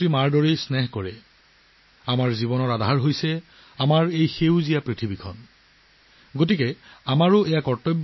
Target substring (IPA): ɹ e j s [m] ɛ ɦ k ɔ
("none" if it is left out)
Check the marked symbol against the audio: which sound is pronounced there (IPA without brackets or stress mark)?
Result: n